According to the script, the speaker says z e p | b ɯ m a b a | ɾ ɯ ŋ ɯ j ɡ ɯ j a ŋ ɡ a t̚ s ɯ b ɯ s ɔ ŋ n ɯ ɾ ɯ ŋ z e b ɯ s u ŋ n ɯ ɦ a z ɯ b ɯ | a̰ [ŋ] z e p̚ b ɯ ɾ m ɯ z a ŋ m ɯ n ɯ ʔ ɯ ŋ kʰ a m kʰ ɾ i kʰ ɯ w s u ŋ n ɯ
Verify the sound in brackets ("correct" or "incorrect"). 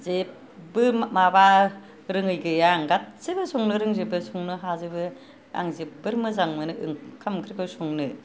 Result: correct